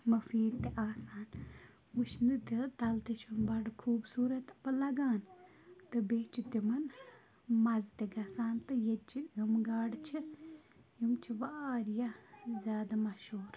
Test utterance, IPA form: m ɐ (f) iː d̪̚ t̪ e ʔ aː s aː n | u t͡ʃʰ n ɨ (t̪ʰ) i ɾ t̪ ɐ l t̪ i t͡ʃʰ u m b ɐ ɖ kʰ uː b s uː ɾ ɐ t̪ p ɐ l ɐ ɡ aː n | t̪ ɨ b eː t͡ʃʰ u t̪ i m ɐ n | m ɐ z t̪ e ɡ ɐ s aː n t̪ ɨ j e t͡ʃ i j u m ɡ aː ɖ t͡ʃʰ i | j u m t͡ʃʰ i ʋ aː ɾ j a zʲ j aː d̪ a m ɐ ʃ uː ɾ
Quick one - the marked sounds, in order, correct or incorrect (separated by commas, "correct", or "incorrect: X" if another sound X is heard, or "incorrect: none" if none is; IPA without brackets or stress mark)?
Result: correct, incorrect: t̪